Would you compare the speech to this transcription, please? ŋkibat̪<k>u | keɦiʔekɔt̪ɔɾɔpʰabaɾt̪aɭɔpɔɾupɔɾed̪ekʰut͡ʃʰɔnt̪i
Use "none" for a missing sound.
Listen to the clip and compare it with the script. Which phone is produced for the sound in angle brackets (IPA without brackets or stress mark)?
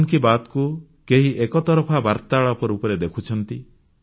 k